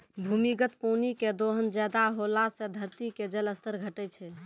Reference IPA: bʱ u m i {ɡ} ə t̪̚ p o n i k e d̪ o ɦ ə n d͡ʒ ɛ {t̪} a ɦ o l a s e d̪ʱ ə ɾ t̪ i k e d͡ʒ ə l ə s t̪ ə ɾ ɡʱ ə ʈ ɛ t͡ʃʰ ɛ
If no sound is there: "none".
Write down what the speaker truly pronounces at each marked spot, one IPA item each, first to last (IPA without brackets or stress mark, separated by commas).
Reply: ɡ, d̪